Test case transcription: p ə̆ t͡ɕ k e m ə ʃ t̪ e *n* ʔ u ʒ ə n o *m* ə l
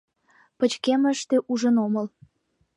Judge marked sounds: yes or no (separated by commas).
no, yes